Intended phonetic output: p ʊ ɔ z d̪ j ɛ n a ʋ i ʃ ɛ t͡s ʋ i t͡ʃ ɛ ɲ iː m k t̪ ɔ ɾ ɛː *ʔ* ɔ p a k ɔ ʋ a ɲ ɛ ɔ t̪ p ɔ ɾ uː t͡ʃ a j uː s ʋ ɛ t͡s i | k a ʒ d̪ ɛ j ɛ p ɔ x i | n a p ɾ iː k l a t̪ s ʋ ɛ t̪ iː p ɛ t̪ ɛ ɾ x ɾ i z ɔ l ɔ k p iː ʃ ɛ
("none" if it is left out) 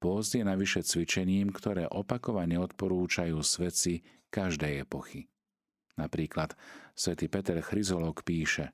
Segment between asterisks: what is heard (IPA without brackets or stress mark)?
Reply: ʔ